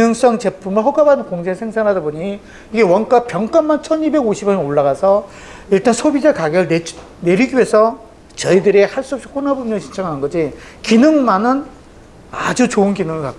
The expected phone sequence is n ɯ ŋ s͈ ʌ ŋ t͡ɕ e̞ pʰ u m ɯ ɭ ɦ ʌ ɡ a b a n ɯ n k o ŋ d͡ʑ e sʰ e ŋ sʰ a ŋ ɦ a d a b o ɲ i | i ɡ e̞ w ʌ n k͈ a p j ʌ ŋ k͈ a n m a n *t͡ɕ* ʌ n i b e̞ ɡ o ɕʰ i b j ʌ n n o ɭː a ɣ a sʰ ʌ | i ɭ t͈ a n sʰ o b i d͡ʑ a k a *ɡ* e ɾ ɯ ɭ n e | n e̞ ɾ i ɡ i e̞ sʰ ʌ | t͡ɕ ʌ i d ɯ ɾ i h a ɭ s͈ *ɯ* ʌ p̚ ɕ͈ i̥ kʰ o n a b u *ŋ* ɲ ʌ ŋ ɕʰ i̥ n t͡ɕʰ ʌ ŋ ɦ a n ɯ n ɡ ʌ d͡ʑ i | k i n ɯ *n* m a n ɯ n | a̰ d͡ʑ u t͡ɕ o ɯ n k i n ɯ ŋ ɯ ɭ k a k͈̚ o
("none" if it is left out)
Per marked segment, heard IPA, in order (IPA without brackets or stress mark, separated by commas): t͡ɕʰ, ɡ, u, m, ŋ